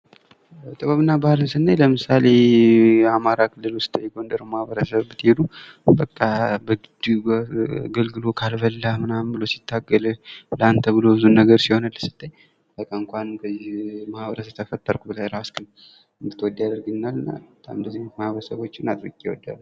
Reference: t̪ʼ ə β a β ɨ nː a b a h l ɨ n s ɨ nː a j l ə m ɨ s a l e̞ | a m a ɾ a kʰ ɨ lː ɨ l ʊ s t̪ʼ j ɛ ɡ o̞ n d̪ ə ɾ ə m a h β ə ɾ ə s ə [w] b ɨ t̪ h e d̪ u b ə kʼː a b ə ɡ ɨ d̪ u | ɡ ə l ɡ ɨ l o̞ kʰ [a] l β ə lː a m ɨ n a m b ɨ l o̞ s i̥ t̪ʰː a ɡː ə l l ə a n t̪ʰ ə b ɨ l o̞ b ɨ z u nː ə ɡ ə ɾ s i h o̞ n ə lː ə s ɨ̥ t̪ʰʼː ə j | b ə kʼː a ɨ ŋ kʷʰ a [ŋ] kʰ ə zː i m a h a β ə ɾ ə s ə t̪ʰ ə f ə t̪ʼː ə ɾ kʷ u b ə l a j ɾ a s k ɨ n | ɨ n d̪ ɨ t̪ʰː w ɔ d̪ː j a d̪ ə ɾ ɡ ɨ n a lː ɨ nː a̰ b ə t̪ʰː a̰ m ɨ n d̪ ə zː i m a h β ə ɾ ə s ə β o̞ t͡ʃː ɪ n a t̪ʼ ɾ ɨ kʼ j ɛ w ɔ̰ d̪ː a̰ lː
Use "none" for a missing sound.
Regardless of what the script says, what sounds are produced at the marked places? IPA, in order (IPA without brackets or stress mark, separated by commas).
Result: β, a, n